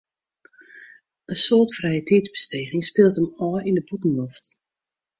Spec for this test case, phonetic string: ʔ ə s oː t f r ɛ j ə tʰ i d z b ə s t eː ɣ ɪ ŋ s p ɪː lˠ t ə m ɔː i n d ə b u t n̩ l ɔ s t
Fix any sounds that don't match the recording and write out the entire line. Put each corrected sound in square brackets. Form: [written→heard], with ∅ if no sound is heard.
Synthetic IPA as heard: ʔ ə s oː t f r ɛ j ə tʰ i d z b ə s t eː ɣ ɪ ŋ s p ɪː lˠ t ə m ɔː i n d ə b u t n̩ l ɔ [s→f] t